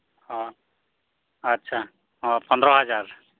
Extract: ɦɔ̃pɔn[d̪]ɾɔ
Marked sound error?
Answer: no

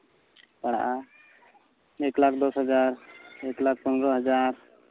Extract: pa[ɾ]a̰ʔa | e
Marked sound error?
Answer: yes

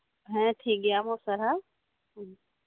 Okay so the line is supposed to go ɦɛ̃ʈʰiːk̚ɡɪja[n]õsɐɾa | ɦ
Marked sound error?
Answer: yes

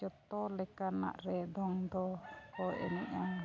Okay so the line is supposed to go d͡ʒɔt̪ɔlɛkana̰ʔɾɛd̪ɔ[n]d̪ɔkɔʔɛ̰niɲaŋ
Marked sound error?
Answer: yes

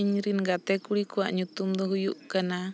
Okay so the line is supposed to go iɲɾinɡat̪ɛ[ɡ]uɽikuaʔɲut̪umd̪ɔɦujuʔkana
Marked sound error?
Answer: yes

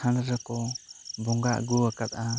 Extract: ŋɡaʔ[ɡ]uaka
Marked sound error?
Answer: no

